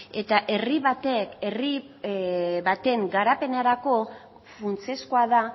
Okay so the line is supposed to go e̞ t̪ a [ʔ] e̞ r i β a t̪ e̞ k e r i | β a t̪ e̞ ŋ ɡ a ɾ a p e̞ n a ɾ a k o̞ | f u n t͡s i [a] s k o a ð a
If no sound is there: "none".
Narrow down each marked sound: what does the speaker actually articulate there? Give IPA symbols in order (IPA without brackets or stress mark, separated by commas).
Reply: ʔ, e